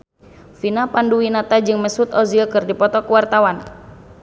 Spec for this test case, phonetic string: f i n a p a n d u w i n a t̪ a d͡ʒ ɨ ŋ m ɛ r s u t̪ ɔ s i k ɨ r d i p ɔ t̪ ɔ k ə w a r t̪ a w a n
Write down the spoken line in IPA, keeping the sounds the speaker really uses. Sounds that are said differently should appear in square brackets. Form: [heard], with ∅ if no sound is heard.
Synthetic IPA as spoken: f i n a p a n d u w i n a t̪ a d͡ʒ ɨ ŋ m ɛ [∅] s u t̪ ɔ [z] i k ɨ r d i p ɔ t̪ ɔ k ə w a r t̪ a w a n